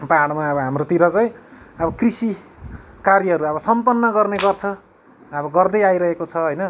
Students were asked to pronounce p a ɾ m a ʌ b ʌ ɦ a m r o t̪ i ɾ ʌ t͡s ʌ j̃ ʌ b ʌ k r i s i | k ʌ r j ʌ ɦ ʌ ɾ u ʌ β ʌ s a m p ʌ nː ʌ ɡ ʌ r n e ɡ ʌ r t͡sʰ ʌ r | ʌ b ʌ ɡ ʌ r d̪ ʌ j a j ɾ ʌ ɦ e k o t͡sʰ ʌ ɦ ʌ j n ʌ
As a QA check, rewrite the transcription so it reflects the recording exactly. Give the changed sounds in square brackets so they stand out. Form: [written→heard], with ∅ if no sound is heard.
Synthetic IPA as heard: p a [ɾ→ɽ] m a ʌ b ʌ ɦ a m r o t̪ i ɾ ʌ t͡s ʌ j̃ ʌ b ʌ k r i s i | k [ʌ→a] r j ʌ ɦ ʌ ɾ u ʌ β ʌ s [a→ʌ] m p ʌ nː ʌ ɡ ʌ r n e ɡ ʌ r t͡sʰ ʌ [r→∅] | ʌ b ʌ ɡ ʌ r d̪ ʌ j a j ɾ ʌ ɦ e k o t͡sʰ ʌ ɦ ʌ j n ʌ